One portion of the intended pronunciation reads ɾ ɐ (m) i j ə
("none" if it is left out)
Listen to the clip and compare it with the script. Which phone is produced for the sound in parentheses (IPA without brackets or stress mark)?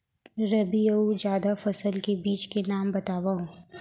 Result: b